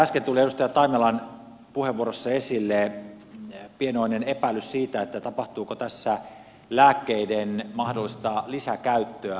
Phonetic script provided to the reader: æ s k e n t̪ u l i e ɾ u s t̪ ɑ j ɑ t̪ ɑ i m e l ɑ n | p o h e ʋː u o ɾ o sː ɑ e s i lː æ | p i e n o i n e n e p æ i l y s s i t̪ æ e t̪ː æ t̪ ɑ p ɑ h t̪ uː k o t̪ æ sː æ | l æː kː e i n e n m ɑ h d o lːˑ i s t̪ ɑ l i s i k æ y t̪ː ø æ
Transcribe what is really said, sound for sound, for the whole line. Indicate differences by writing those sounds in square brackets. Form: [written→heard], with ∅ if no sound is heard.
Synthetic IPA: æ s k e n t̪ u l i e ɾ u s t̪ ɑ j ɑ t̪ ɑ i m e l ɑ n | p [o→u] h e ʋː u o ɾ o sː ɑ e s i lː [æ→e] | p i e n o i n e n e p æ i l y s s [i→iː] t̪ æ e t̪ː æ t̪ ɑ p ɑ h t̪ uː k o t̪ æ sː æ | l æː kː e i [n→d] e n m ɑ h d o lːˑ i s t̪ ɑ l i s [i→æ] k æ y t̪ː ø æ